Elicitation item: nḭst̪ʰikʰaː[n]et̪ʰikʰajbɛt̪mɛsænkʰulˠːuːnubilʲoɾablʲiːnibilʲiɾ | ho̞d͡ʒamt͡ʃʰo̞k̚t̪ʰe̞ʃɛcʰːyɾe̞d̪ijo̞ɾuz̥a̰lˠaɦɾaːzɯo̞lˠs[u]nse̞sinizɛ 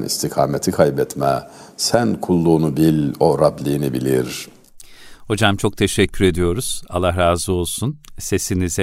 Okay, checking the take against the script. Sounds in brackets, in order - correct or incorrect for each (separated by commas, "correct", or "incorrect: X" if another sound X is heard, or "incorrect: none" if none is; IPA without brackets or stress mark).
incorrect: m, correct